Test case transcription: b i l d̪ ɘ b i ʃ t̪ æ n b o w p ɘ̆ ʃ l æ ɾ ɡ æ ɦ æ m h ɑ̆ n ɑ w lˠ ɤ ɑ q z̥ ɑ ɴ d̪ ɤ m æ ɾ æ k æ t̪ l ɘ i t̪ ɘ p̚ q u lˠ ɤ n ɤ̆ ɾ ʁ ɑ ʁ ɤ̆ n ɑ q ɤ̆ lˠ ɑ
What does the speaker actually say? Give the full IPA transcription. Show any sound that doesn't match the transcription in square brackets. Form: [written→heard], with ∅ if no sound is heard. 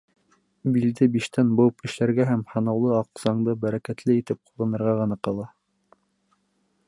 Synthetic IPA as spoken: b i l d̪ ɘ b i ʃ t̪ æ n b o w p ɘ̆ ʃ l æ ɾ ɡ æ ɦ æ m h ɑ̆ n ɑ w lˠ ɤ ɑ q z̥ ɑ ɴ d̪ ɤ [m→b] æ ɾ æ k æ t̪ l ɘ i t̪ ɘ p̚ q u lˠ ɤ n ɤ̆ ɾ ʁ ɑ ʁ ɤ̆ n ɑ q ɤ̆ lˠ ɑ

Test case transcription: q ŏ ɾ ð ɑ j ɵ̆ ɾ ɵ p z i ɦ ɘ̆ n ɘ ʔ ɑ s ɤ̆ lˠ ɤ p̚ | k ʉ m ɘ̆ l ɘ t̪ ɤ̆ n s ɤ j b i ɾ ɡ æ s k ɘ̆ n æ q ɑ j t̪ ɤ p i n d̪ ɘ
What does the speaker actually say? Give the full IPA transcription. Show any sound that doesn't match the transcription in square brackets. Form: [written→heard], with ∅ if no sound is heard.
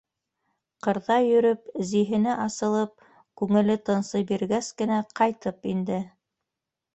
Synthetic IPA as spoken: q [ŏ→ɤ̆] ɾ ð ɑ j ɵ̆ ɾ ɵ p z i ɦ ɘ̆ n ɘ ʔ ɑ s ɤ̆ lˠ ɤ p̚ | k ʉ [m→ŋ] ɘ̆ l ɘ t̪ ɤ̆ n s ɤ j b i ɾ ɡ æ s k ɘ̆ n æ q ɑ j t̪ ɤ p i n d̪ ɘ

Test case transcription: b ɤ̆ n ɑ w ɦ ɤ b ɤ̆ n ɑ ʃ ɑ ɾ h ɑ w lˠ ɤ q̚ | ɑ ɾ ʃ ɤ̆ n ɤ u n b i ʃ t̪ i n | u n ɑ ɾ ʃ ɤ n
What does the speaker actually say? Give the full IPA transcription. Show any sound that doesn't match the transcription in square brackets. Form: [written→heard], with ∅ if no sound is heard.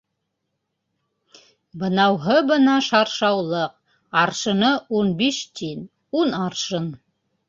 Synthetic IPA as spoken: b ɤ̆ n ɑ w ɦ ɤ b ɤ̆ n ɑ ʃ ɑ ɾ [h→ʃ] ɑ w lˠ ɤ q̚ | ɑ ɾ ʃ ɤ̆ n ɤ u n b i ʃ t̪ i n | u n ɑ ɾ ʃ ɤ n

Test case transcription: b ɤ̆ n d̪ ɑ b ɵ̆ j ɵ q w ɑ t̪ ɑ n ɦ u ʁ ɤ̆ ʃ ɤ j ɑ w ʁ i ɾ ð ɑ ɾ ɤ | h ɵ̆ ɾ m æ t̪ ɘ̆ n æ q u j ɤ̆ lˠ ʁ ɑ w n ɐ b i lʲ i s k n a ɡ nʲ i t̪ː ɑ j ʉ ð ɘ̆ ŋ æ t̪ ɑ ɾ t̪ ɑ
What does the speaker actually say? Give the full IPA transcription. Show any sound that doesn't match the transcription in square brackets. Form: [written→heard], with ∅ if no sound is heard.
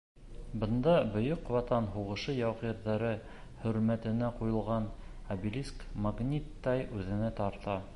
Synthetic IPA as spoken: b ɤ̆ n d̪ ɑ b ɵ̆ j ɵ q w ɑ t̪ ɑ n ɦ u ʁ ɤ̆ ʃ ɤ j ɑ w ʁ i ɾ ð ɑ ɾ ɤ | h ɵ̆ ɾ m æ t̪ ɘ̆ n æ q u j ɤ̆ lˠ ʁ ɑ [w→∅] n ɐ b i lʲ i s k [n→m] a ɡ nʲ i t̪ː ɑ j ʉ ð ɘ̆ [ŋ→n] æ t̪ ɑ ɾ t̪ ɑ

